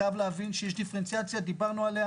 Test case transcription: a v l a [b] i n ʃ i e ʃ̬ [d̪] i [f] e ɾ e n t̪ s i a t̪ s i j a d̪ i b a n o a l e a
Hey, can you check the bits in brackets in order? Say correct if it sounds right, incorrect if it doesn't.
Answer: incorrect: v, correct, correct

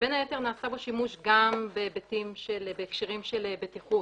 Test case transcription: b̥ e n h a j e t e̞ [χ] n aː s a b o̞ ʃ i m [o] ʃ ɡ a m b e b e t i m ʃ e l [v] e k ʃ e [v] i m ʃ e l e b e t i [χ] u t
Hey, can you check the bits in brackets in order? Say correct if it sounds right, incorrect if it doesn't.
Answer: incorrect: ʁ, incorrect: u, incorrect: b, incorrect: ʁ, correct

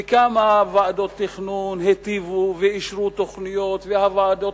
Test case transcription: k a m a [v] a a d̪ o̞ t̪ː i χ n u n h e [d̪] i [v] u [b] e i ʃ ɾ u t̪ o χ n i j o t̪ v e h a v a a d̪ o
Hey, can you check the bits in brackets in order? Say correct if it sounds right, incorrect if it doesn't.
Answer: correct, incorrect: t̪, correct, incorrect: v

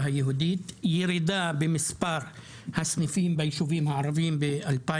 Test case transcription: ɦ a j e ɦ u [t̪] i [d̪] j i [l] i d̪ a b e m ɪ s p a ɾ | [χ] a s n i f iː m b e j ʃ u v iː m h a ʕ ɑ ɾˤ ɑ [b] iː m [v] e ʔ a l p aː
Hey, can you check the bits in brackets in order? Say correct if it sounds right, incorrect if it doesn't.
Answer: incorrect: d̪, incorrect: t̪, incorrect: ɾ, incorrect: h, incorrect: v, incorrect: b

